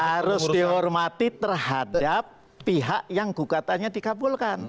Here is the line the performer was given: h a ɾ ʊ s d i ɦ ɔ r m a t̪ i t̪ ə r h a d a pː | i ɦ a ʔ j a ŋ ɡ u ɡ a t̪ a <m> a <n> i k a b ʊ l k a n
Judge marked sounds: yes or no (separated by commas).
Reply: no, no